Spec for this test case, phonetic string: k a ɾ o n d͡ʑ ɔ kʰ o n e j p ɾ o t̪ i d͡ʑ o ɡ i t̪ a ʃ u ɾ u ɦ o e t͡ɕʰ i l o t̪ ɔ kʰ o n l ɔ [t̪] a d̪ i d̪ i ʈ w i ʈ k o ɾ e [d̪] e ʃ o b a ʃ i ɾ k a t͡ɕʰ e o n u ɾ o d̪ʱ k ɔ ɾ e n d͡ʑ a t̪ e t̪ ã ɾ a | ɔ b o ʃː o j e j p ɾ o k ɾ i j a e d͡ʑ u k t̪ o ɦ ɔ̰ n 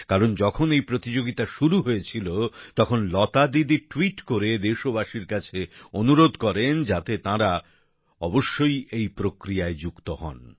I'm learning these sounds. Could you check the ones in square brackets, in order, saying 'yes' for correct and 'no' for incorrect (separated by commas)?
yes, yes